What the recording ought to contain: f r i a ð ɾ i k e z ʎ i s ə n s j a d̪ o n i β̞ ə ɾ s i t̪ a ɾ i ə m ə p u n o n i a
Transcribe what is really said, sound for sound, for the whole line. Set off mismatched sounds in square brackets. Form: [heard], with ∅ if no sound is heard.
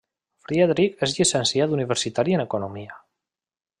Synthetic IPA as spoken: f [ɾ] i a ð ɾ i k e z ʎ i s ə n s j a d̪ [u] n i β̞ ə ɾ s i t̪ a ɾ i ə [n] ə [k] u n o [m] i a